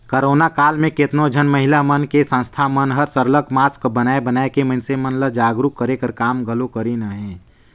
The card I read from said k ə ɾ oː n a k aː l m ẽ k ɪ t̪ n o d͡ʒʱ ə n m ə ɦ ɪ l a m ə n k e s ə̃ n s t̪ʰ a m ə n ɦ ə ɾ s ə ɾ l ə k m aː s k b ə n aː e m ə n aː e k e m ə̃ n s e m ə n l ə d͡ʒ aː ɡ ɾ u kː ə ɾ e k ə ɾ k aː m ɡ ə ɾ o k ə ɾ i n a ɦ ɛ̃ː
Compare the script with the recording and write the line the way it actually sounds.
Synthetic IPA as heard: k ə ɾ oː n a k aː l m ẽ k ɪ t̪ n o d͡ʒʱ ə n m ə ɦ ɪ l a m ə n k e s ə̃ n s t̪ʰ a m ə n ɦ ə ɾ s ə ɾ l ə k m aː s k b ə n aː e b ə n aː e k e m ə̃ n s e m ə n l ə d͡ʒ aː ɡ ɾ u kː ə ɾ e k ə ɾ k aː m ɡ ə l o k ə ɾ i n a ɦ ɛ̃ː